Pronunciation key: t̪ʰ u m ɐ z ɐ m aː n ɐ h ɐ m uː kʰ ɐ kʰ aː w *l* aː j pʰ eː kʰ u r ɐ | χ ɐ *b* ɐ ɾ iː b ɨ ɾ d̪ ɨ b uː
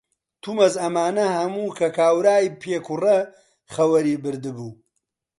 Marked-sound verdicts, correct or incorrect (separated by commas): incorrect, incorrect